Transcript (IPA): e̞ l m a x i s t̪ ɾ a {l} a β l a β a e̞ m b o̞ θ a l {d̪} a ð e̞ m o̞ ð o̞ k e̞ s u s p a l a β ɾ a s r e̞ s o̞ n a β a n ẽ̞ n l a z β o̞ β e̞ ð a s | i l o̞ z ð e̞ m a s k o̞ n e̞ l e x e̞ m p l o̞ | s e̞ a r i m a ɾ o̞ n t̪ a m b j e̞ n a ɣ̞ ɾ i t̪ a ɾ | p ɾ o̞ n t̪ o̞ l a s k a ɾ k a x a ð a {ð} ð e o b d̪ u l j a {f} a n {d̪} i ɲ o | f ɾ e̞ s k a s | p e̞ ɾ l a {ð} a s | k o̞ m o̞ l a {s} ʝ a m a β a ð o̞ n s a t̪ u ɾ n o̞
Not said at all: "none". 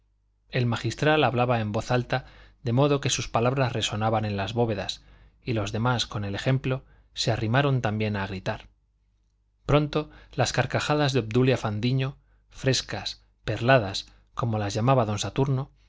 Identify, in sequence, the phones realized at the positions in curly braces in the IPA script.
l, t̪, z, f, d̪, ð, z

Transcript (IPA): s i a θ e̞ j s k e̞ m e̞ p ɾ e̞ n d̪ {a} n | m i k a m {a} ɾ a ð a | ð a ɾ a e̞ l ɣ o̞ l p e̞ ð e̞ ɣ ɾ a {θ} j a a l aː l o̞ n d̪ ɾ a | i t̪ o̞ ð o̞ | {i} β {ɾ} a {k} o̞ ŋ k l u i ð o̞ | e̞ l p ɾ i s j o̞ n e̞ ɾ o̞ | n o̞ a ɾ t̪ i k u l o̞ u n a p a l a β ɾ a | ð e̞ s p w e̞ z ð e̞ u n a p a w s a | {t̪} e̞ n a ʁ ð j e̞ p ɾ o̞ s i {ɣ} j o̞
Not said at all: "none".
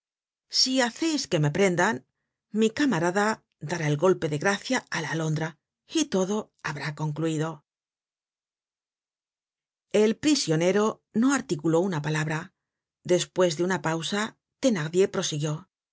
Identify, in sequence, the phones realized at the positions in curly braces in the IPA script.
a, a, θ, a, ɾ, k, t̪, ɣ

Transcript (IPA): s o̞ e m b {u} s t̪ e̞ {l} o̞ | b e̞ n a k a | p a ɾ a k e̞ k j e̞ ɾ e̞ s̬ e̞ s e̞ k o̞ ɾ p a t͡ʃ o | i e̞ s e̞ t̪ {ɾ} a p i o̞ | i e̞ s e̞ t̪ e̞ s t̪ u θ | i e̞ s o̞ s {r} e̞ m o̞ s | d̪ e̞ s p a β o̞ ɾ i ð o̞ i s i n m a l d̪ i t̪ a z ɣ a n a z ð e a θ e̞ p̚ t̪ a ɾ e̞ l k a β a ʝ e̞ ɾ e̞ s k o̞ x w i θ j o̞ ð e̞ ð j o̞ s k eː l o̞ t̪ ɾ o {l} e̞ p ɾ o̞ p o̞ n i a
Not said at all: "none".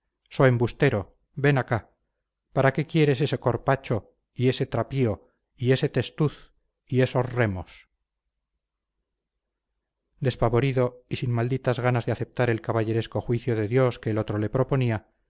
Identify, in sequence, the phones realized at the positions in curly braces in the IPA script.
u, ɾ, ɾ, r, l

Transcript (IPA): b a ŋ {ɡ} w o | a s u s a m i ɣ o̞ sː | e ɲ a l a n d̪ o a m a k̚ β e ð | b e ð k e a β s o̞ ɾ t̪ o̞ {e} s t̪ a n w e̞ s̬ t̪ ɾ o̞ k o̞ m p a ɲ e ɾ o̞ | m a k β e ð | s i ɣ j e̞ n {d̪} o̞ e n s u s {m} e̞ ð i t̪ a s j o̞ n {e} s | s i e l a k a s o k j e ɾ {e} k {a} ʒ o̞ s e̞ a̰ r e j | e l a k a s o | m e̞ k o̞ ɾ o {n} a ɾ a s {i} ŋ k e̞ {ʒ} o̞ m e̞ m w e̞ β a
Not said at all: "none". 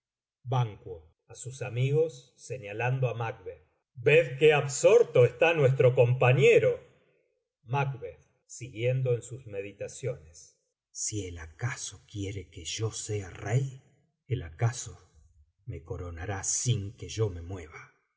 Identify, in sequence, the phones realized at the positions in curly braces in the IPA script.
k, e, d̪, m, e, e, e, n, i, ʒ

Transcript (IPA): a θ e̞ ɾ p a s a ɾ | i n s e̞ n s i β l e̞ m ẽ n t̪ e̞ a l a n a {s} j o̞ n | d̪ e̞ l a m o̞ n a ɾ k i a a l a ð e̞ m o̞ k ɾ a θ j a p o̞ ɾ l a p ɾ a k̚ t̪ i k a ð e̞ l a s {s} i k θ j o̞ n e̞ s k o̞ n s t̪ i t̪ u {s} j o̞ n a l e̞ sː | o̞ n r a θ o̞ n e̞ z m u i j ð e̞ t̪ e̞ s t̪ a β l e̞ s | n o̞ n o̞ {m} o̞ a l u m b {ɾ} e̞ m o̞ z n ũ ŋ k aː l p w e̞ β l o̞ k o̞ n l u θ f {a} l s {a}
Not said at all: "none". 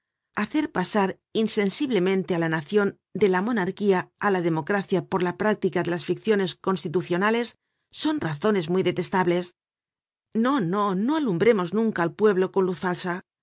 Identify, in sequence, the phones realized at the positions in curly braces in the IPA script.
θ, f, θ, n, ɾ, a, a

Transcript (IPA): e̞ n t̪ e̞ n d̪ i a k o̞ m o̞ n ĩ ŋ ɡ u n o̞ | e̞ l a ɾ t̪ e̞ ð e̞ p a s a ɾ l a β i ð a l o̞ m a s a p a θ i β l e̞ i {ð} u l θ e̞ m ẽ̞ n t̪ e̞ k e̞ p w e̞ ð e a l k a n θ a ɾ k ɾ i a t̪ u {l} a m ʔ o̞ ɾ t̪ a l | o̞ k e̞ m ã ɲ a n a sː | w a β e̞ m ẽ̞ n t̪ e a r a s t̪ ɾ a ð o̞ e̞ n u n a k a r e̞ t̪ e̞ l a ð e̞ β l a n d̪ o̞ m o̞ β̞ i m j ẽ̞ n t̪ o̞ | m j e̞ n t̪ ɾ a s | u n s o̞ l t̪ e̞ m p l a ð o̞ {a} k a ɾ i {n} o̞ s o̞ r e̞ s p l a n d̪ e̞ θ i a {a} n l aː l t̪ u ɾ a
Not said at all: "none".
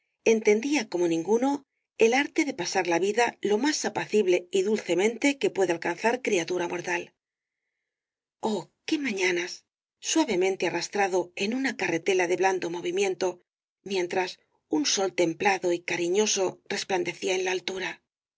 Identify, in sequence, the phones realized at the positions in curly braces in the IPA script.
ð, ɾ, i, ɲ, e

